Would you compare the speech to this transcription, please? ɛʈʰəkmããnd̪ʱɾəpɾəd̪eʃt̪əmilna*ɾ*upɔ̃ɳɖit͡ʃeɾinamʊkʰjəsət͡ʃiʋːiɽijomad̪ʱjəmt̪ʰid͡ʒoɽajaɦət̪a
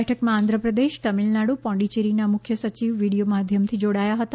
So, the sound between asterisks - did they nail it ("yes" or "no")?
no